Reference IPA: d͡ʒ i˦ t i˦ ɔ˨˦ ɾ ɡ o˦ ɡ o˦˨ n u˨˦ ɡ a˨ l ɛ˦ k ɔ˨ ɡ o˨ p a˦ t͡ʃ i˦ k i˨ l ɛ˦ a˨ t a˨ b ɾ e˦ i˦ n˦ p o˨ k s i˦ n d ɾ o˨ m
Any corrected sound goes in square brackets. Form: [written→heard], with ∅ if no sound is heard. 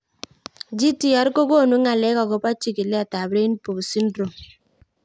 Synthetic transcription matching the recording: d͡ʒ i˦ t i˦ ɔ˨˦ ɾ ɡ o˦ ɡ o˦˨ n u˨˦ [ɡ→ŋ] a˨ l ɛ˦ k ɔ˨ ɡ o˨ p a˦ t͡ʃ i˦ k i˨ l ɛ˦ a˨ t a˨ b ɾ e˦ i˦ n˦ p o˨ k s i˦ n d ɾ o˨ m